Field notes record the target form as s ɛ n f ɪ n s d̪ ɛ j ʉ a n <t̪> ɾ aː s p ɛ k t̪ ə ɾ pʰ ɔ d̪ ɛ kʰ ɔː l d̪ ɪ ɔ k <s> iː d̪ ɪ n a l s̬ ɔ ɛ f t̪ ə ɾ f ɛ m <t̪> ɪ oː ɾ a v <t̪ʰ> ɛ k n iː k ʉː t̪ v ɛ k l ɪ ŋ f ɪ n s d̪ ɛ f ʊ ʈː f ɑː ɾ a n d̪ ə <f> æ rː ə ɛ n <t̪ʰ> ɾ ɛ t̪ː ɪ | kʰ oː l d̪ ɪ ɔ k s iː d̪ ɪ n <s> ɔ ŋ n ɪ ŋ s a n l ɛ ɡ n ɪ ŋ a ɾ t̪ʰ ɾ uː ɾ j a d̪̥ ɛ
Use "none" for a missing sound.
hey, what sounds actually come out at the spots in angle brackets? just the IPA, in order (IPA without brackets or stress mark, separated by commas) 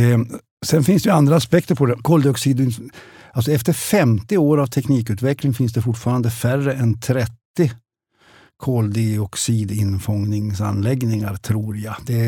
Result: d̪, s, t̪, t̪ʰ, f, t̪ʰ, f